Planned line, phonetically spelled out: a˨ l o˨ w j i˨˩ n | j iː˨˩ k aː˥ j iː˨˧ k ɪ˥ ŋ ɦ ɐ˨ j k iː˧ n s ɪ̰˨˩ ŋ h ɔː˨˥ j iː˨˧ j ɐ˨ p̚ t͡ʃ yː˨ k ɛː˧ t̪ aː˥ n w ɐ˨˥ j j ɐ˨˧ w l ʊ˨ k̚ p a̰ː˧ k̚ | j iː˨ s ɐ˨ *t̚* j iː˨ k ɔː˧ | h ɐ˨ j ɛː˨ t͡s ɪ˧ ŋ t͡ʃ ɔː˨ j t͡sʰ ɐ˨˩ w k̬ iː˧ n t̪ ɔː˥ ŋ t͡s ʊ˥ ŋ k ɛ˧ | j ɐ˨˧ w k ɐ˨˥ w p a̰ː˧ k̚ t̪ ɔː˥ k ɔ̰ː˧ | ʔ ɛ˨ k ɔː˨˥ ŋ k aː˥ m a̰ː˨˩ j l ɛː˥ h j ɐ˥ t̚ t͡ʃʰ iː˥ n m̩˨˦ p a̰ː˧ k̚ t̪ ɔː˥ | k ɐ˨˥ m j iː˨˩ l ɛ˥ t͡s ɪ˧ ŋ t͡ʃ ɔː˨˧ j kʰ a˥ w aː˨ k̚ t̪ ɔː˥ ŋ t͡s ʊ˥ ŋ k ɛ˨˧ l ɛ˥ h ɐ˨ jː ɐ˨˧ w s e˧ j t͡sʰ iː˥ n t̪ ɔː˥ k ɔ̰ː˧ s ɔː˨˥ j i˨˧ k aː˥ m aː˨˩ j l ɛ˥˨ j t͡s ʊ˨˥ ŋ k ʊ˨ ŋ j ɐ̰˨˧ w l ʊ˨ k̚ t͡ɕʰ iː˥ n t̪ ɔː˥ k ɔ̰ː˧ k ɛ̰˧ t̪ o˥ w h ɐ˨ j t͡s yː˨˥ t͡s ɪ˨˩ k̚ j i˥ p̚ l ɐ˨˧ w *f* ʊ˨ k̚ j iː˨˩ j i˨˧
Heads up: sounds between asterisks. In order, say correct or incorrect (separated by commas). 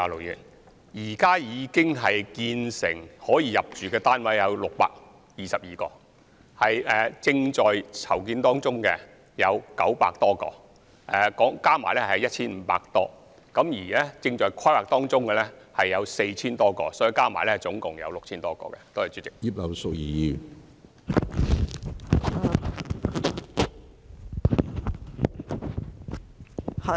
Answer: incorrect, incorrect